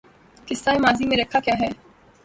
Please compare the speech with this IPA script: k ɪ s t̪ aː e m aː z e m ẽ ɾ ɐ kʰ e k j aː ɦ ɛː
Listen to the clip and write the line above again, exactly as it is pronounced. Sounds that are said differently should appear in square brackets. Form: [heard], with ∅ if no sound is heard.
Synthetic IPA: k ɪ s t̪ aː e m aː z [i] m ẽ ɾ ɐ kʰ [a] k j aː ɦ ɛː